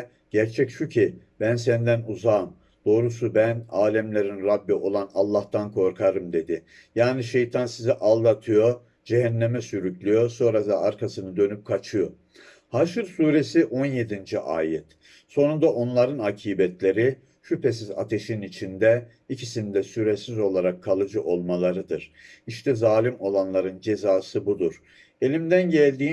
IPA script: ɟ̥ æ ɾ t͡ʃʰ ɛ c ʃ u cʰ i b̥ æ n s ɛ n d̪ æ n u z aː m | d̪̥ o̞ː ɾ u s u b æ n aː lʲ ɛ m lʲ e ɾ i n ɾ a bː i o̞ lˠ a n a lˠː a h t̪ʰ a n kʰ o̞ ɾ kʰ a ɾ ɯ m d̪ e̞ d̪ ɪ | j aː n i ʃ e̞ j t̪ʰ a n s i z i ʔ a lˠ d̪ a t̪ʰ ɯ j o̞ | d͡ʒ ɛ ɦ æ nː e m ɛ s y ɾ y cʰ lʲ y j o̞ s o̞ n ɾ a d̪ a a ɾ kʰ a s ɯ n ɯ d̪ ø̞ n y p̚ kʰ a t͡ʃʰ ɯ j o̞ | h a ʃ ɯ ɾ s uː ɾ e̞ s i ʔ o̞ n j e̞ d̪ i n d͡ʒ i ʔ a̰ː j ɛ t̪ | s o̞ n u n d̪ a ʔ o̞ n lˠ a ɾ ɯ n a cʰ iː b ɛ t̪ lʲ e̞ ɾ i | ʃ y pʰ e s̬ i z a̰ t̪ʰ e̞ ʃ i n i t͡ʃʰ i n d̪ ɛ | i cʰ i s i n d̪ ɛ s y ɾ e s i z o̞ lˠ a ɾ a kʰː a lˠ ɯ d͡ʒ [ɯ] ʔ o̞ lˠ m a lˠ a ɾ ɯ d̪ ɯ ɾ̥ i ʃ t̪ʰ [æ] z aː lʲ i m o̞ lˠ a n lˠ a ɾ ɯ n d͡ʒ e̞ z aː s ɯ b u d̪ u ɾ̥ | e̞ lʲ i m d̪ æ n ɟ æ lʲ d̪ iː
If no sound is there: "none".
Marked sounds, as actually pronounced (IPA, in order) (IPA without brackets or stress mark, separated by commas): ɯ, ɛ